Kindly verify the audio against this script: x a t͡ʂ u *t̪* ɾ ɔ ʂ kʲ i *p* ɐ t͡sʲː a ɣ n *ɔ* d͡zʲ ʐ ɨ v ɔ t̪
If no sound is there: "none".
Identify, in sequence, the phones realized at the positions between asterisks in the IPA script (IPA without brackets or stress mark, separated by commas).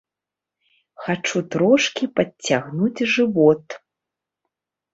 t̪, p, u